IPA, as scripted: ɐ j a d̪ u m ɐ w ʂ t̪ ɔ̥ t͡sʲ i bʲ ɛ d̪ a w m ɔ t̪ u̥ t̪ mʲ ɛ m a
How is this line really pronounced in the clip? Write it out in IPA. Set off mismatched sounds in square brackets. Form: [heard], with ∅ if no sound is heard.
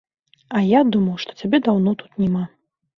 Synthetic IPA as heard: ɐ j a d̪ u m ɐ w ʂ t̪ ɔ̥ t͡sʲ [a] bʲ ɛ d̪ a w [n] ɔ t̪ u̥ t̪ [nʲ] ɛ m a